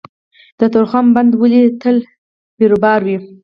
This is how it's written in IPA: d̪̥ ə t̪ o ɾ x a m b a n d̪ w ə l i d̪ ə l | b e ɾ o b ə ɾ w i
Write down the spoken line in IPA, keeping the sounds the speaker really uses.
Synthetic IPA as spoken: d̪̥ ə t̪ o ɾ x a m b a n d̪ w ə l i t̪ ə l | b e ɾ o b ɑ ɾ w i